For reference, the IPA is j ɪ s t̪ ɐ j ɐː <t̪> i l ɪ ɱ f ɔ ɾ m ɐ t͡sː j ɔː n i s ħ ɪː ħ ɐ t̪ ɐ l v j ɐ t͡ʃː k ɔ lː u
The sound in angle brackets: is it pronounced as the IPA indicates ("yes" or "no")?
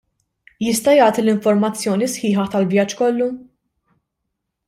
yes